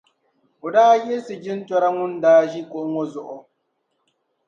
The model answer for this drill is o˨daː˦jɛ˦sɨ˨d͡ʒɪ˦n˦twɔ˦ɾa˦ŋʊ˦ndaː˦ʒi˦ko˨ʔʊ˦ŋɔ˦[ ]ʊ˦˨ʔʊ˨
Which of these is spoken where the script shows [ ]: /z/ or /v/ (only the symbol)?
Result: z